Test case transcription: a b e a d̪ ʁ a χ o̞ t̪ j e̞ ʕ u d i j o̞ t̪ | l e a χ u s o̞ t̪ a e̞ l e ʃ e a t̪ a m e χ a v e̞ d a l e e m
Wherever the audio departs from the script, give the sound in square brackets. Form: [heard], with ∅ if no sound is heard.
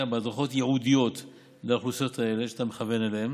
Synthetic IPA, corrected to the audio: a b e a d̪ ʁ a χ o̞ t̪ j e̞ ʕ u d i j o̞ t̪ | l e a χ u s o̞ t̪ a e̞ l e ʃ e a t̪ a m e χ a v e̞ [n] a l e e m

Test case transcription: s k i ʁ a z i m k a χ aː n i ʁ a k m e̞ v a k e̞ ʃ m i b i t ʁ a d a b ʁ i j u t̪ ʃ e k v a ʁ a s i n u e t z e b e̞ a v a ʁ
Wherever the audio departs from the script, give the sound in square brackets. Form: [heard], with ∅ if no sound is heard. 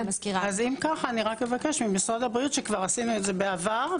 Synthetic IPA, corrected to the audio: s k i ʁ a z i m k a χ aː n i ʁ a k m e̞ v a k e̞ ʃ m i [m] i [s] ʁ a d a b ʁ i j u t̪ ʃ e k v a ʁ a s i n u e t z e b e̞ a v a ʁ

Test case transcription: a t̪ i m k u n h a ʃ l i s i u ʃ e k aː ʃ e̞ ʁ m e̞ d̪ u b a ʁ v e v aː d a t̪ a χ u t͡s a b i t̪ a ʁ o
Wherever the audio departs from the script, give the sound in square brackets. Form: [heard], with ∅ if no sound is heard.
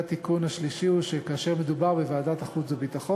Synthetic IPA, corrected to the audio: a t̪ i [∅] k u n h a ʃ l i [ʃ] i u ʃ e k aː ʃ e̞ ʁ m e̞ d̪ u b a ʁ [b] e v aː d a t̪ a χ u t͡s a b i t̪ a [χ] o

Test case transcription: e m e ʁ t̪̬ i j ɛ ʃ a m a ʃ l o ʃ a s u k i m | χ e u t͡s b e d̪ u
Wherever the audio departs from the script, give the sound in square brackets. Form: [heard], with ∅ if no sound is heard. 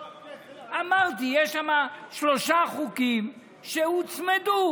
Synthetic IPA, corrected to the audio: [a] m [a] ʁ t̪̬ i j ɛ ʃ a m a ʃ l o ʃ a [χ] u k i m | [ʃ] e u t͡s [m] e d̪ u

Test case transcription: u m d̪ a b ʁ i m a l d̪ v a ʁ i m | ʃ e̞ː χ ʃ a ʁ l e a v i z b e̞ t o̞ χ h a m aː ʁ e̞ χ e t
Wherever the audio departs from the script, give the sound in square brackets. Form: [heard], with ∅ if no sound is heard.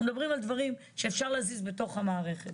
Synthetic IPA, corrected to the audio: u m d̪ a b ʁ i m a l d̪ v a ʁ i m | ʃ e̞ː [f] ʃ a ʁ l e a [z] i z b e̞ t o̞ χ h a m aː ʁ e̞ χ e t

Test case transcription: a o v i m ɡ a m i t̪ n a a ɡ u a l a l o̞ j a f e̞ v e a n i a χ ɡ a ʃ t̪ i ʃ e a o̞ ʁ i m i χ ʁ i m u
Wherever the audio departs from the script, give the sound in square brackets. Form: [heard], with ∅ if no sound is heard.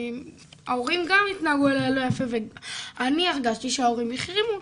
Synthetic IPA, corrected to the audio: a o [ʁ] i m ɡ a m i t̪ n a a ɡ u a l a l o̞ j a f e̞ v e a n i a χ ɡ a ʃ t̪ i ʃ e a o̞ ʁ i m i χ ʁ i m u

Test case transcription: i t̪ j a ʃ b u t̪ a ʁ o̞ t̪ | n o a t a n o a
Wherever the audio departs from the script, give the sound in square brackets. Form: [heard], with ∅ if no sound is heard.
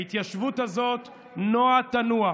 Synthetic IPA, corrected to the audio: i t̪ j a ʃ [v] u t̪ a [z] o̞ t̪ | n o a t a n [u] a

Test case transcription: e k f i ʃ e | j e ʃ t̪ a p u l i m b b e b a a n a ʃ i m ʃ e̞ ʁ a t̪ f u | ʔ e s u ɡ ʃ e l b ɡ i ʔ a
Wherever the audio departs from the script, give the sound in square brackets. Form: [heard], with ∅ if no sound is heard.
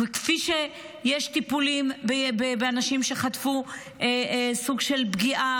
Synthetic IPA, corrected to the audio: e k f i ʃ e | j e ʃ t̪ [i] p u l i m b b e b [e] a n a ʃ i m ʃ e̞ [χ] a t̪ f u | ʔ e s u ɡ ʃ e l b ɡ i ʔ a

